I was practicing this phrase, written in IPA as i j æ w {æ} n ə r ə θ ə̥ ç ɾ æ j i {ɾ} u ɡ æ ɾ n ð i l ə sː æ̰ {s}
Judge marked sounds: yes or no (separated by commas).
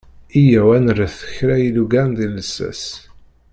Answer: yes, no, yes